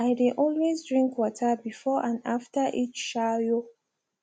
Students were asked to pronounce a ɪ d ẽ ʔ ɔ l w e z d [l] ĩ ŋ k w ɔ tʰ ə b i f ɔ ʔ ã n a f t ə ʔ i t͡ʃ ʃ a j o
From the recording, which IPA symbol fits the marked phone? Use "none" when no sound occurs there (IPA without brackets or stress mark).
ɹ